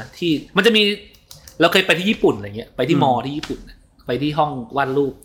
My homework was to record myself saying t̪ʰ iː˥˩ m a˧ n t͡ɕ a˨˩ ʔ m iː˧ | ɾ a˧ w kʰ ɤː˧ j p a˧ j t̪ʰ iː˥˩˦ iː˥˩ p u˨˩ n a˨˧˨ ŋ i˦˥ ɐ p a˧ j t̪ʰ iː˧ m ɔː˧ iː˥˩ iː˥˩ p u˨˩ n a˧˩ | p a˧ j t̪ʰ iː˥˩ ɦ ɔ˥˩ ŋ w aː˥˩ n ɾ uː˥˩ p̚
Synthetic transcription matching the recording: t̪ʰ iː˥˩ m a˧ n t͡ɕ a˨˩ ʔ m iː˧ | ɾ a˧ w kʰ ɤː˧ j p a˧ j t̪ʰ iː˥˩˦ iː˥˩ p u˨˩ n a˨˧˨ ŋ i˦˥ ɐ p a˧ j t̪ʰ iː˥˩ m ɔː˧ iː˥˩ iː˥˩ p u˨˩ n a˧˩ | p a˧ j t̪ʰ iː˥˩ ɦ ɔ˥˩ ŋ w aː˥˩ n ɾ uː˥˩ p̚